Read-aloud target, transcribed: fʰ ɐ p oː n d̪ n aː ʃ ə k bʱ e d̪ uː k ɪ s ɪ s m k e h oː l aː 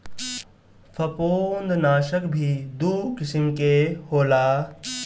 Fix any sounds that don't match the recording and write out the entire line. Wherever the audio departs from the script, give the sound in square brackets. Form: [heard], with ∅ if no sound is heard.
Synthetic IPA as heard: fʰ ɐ p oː n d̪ n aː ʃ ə k bʱ [i] d̪ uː k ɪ s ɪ [∅] m k e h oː l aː